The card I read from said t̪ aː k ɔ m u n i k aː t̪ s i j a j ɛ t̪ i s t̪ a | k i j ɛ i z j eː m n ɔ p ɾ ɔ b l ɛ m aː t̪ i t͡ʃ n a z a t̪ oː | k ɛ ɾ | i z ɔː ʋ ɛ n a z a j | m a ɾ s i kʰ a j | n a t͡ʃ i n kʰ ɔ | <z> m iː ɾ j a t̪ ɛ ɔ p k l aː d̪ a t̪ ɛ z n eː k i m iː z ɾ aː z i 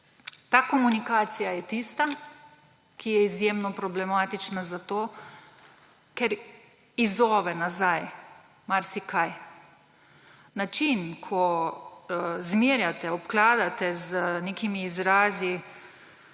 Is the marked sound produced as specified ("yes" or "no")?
yes